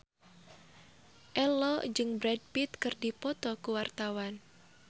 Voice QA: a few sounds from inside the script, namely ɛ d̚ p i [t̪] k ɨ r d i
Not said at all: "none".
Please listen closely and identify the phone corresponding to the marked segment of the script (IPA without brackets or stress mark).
t̪